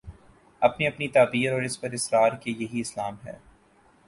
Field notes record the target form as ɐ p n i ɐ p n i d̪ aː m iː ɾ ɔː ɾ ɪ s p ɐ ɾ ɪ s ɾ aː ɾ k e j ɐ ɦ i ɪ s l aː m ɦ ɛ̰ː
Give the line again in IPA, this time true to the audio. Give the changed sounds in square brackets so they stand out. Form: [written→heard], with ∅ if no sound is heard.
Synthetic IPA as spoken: ɐ p n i ɐ p n i [d̪→t̪] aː [m→b] iː ɾ ɔː ɾ ɪ s p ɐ ɾ ɪ s ɾ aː ɾ k e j ɐ ɦ i ɪ s l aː m ɦ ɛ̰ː